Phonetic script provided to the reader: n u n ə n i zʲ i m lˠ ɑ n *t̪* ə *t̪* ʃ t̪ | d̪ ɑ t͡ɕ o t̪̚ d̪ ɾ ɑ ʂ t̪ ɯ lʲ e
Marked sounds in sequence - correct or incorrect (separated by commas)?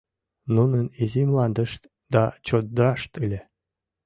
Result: incorrect, incorrect